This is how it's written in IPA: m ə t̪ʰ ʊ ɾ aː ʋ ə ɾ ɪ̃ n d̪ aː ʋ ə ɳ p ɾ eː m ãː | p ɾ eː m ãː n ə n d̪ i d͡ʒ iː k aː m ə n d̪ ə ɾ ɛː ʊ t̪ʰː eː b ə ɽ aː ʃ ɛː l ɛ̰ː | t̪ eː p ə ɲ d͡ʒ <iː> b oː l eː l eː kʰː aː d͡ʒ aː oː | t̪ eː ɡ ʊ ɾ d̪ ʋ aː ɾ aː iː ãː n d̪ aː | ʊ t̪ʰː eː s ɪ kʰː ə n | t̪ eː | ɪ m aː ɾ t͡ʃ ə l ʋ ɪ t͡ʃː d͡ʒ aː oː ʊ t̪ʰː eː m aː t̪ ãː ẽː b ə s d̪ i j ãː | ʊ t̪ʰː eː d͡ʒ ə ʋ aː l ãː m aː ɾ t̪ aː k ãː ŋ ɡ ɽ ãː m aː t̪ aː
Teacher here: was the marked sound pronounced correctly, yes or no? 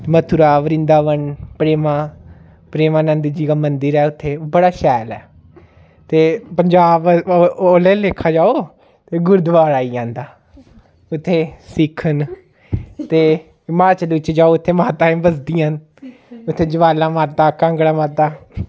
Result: no